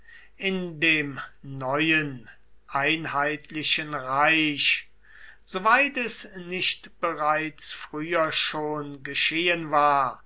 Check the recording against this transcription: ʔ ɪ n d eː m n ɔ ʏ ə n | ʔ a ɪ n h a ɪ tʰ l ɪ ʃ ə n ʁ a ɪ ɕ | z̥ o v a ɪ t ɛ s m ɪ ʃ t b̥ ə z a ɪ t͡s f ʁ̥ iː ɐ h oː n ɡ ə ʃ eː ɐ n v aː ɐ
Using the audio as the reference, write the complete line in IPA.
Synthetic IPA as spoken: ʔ ɪ n d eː m n ɔ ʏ ə n | ʔ a ɪ n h a ɪ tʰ l ɪ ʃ ə n ʁ a ɪ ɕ | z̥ o v a ɪ t ɛ s n ɪ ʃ t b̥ ə ʁ a ɪ t͡s f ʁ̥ yː ɐ ʃ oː n ɡ ə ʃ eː ə n v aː ɐ

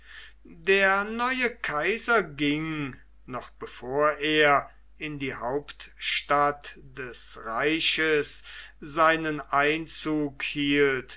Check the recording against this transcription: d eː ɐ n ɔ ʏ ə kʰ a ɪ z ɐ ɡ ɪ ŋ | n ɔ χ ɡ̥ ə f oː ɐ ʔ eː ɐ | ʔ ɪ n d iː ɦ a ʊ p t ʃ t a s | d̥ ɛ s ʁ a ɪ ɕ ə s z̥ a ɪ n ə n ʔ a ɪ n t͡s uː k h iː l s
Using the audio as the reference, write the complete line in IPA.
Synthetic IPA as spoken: d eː ɐ n ɔ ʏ ə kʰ a ɪ z ɐ ɡ ɪ ŋ | n ɔ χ b̥ ə f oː ɐ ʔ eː ɐ | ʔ ɪ n d iː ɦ a ʊ p t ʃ t a t | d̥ ɛ s ʁ a ɪ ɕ ə s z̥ a ɪ n ə n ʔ a ɪ n t͡s uː k h iː l t

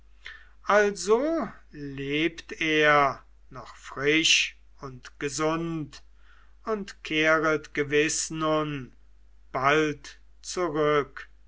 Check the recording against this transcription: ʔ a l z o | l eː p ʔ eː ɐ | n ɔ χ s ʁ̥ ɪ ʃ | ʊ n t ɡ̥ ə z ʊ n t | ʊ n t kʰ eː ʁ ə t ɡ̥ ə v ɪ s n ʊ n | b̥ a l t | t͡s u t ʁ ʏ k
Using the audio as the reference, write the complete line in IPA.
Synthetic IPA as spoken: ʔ a l z o | l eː p t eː ɐ | n ɔ χ f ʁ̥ ɪ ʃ | ʊ n t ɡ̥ ə z ʊ n t | ʊ n t kʰ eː ʁ ə t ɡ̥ ə v ɪ s n ʊ n | b̥ a l t | t͡s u ʁ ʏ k

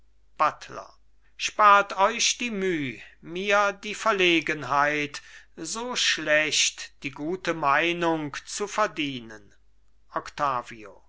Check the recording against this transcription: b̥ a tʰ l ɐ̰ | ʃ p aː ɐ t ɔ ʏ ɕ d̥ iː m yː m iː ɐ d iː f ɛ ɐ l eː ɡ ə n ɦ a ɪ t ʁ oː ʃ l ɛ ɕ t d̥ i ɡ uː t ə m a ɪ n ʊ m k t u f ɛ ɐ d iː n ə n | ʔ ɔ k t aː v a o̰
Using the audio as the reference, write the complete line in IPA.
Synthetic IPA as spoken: b̥ a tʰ l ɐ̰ | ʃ p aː ɐ t ɔ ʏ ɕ d̥ iː m yː m iː ɐ d iː f ɛ ɐ l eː ɡ ə n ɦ a ɪ t z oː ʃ l ɛ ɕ t d̥ iː ɡ uː t ə m a ɪ n ʊ ŋ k t͡s u f ɛ ɐ d iː n ə n | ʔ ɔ k t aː v i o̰

